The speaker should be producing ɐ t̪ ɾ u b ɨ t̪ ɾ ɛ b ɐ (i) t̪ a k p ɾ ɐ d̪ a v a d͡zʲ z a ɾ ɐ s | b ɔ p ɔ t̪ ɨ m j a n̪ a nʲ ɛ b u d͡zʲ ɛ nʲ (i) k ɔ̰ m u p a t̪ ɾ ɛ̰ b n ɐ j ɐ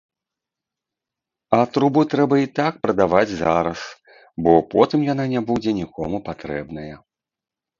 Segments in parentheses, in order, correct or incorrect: correct, correct

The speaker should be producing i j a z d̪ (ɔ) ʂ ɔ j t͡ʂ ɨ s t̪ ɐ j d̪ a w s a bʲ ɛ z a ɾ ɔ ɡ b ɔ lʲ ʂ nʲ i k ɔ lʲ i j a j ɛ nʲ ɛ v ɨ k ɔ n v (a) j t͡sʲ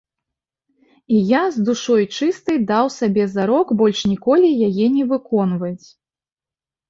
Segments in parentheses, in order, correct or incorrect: incorrect: u, incorrect: ɐ

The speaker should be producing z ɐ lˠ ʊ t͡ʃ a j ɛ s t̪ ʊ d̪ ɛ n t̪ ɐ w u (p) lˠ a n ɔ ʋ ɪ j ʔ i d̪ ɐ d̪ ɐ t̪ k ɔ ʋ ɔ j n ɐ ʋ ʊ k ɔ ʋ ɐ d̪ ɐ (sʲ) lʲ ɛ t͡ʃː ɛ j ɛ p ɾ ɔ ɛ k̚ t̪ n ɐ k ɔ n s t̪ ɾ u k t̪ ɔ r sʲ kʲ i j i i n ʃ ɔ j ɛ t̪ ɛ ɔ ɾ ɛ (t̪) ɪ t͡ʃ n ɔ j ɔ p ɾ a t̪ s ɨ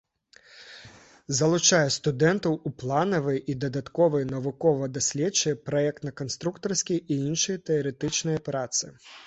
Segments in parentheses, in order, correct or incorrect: correct, correct, correct

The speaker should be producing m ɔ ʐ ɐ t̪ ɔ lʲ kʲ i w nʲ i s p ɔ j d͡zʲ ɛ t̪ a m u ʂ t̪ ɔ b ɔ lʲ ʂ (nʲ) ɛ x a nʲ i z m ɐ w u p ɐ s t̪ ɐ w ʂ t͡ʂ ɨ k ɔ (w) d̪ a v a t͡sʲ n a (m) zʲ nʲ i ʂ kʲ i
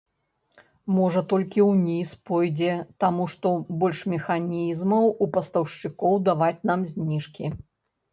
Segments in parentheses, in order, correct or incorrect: incorrect: mʲ, correct, correct

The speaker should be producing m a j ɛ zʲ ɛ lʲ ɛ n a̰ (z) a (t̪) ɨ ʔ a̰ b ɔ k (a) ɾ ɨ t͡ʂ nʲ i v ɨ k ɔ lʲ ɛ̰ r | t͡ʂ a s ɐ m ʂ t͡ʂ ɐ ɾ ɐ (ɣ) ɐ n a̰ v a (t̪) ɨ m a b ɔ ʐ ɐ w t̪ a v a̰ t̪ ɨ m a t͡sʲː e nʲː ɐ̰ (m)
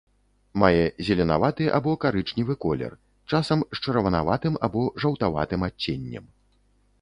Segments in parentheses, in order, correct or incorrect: incorrect: v, correct, correct, incorrect: v, correct, correct

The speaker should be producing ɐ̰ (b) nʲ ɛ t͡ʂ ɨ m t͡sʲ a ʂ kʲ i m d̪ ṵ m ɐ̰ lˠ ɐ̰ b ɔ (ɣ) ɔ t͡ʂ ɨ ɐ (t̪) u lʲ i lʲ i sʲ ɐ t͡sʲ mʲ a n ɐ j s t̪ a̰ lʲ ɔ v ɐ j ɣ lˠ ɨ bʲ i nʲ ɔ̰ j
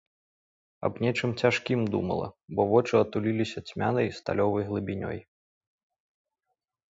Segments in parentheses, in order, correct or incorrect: correct, incorrect: v, correct

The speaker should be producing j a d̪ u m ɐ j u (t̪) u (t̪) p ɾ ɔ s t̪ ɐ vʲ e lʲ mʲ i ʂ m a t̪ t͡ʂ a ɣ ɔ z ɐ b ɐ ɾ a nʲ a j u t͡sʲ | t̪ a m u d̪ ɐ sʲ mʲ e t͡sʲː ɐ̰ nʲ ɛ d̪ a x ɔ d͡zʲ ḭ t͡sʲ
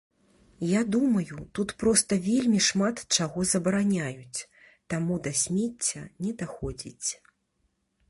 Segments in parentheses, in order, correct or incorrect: correct, correct

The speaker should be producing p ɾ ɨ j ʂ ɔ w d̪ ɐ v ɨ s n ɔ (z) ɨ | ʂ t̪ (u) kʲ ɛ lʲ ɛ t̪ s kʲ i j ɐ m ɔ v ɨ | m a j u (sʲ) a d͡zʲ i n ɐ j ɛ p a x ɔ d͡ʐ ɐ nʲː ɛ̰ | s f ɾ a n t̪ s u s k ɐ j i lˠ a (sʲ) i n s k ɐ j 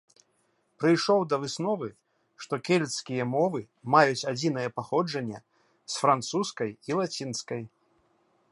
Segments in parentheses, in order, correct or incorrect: incorrect: v, incorrect: ɔ, incorrect: t͡sʲ, incorrect: t͡sʲ

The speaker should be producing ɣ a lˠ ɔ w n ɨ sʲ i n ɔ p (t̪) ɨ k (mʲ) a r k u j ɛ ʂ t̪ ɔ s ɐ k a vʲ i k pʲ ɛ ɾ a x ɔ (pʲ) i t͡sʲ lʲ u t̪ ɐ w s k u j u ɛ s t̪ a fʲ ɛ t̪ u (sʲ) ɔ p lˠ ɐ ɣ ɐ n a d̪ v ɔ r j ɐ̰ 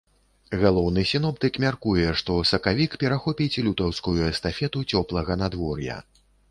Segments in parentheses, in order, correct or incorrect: correct, correct, correct, incorrect: t͡sʲ

